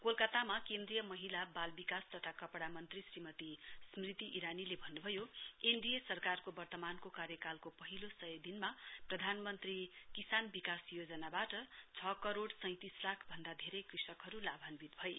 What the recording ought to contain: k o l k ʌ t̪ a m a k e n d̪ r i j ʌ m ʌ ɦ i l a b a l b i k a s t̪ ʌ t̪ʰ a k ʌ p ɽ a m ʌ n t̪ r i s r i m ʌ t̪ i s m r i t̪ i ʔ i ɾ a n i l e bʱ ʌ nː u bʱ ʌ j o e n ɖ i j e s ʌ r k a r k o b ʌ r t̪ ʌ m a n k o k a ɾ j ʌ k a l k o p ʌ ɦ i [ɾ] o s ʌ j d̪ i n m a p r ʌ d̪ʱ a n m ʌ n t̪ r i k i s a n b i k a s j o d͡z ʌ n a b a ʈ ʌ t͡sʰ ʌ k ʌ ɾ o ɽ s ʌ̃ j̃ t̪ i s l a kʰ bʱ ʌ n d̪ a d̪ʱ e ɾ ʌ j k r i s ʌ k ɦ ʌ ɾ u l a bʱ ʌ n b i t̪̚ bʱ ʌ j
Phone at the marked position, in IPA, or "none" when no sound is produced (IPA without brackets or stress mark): l